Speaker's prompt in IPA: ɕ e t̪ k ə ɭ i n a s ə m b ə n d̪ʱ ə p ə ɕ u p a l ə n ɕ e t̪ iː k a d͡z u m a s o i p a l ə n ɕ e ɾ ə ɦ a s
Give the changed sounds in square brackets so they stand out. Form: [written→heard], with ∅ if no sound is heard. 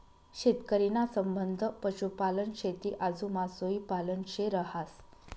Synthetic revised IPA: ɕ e t̪ k ə [ɭ→ɾ] i n a s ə m b ə n d̪ʱ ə p ə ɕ u p a l ə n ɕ e t̪ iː [k→ʔ] a d͡z u m a s o i p a l ə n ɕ e ɾ ə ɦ a s